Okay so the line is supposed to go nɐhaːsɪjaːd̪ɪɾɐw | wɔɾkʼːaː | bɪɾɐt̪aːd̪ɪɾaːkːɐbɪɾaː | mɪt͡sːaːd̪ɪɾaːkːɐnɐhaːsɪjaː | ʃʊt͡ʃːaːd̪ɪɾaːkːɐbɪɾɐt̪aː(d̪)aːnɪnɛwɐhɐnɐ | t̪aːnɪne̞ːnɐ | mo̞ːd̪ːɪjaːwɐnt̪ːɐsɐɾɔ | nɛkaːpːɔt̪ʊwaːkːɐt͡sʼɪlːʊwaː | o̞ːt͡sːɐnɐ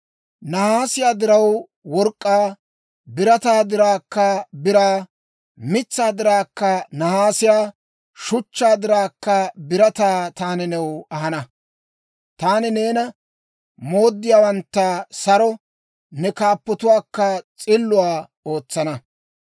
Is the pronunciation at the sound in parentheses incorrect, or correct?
incorrect